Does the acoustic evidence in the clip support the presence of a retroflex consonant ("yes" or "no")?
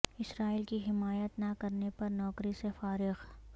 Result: no